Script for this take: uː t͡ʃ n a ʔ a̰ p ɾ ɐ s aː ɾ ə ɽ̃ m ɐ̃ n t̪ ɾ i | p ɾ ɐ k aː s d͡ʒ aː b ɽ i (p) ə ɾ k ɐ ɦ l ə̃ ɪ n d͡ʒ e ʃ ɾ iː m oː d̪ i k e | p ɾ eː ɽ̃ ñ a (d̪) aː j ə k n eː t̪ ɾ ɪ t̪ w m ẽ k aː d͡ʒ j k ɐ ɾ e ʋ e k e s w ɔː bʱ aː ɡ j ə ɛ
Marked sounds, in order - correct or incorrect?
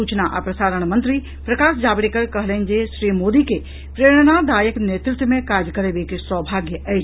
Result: incorrect, correct

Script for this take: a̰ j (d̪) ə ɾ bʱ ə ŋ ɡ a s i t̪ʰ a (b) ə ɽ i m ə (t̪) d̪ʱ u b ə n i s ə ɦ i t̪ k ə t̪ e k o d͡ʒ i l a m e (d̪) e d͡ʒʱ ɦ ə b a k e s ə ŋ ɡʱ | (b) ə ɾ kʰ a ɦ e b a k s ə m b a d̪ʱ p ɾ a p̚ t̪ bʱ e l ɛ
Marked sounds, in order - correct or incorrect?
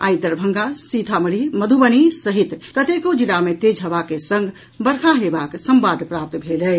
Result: correct, incorrect, incorrect, incorrect, correct

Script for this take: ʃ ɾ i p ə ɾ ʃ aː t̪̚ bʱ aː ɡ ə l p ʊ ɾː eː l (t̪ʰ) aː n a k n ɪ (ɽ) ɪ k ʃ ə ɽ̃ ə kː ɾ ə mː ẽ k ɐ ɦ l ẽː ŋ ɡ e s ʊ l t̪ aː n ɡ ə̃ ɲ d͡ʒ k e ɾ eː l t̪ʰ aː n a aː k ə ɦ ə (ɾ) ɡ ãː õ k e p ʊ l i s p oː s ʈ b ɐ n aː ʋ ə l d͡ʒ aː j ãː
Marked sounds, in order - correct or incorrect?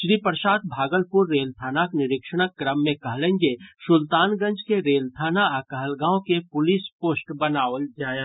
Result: correct, incorrect, incorrect

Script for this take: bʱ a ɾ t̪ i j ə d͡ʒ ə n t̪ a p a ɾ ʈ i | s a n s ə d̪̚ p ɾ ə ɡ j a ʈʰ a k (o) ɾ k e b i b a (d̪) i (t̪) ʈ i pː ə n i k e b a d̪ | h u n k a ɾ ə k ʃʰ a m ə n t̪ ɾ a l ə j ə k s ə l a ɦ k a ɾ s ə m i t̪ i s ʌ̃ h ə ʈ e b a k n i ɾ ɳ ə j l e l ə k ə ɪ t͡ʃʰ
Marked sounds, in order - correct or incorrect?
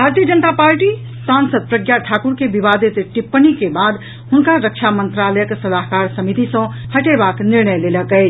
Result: incorrect, correct, correct

